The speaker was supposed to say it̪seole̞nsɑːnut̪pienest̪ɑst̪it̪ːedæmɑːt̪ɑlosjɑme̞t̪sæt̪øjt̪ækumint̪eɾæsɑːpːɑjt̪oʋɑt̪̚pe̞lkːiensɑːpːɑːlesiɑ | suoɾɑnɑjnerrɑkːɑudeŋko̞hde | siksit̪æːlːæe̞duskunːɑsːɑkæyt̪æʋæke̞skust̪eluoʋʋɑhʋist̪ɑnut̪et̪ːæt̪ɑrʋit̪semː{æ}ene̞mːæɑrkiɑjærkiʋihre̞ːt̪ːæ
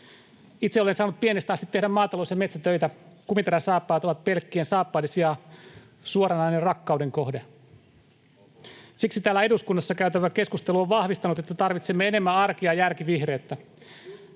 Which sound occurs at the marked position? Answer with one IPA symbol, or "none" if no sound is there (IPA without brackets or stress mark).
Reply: e